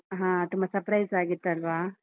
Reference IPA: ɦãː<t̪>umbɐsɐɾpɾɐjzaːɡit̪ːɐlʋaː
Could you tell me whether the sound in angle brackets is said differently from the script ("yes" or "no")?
no